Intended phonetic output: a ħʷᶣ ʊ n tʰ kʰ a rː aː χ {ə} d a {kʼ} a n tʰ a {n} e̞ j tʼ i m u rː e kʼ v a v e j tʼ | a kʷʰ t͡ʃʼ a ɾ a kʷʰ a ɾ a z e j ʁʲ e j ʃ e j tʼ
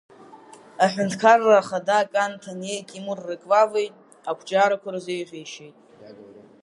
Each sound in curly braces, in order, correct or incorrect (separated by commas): incorrect, correct, correct